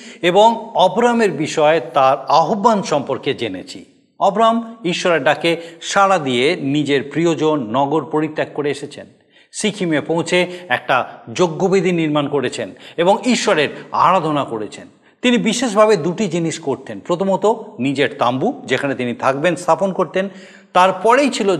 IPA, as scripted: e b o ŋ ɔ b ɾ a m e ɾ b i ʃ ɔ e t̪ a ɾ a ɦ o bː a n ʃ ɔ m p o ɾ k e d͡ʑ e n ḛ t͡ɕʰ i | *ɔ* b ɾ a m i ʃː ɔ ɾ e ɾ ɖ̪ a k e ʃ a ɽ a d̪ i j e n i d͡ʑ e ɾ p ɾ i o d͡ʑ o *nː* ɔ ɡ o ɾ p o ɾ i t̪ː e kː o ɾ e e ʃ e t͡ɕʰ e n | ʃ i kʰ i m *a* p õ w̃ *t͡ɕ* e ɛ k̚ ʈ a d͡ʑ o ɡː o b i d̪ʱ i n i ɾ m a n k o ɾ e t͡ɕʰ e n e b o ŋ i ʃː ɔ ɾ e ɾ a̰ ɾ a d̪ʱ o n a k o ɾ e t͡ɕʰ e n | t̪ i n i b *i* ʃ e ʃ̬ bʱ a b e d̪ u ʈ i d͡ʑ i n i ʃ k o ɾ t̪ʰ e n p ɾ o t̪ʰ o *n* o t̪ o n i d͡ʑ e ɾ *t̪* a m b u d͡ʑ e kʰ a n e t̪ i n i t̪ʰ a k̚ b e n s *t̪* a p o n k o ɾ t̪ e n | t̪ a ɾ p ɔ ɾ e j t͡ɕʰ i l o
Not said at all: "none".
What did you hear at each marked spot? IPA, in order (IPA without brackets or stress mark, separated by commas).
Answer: ɔ, nː, e, t͡ɕʰ, i, m, t̪, t̪ʰ